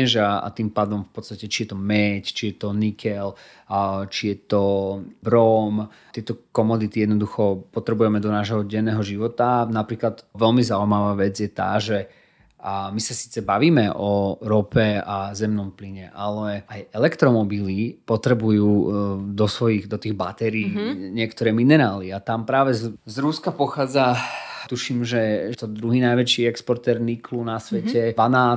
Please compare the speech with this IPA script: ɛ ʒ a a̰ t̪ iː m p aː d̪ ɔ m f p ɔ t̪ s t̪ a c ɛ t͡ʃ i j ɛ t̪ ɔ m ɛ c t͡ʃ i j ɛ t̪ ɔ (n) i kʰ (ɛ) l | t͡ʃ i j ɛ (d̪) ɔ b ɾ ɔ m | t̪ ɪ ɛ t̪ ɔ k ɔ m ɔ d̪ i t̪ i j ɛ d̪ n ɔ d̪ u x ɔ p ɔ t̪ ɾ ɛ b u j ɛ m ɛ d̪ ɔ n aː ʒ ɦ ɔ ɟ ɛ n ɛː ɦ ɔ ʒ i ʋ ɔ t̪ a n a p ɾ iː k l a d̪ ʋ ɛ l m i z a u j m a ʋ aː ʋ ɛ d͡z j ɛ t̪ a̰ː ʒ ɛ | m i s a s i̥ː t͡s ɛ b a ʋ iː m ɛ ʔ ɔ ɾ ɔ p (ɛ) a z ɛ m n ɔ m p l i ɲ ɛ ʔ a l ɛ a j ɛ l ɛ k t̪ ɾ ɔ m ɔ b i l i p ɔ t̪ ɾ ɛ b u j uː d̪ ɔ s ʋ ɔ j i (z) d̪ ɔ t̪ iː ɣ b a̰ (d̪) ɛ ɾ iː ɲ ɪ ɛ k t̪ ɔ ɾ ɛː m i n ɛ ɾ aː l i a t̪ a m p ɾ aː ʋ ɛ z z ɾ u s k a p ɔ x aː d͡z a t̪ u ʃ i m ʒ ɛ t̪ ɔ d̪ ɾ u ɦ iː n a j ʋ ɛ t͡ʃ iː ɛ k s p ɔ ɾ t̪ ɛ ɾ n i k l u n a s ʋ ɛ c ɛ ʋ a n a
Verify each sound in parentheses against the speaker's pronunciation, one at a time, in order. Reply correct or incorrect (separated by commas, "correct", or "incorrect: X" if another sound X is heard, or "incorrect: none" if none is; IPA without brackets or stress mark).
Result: correct, correct, incorrect: t̪, correct, incorrect: ɣ, incorrect: t̪